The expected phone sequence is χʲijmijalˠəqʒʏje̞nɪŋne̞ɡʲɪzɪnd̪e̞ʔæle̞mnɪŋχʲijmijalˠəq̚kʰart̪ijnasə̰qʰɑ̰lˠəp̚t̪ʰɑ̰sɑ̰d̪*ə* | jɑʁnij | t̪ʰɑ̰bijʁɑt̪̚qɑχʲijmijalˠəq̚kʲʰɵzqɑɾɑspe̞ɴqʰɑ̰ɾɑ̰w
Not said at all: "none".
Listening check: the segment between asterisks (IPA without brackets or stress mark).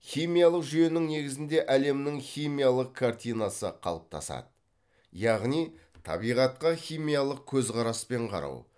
ə